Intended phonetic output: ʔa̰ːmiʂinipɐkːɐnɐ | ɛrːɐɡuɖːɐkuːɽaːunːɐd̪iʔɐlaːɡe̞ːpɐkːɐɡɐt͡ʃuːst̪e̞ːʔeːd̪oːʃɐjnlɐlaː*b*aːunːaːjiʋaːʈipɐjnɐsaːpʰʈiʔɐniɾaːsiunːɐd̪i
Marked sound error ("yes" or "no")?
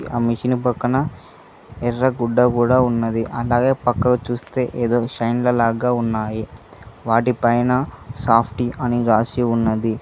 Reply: yes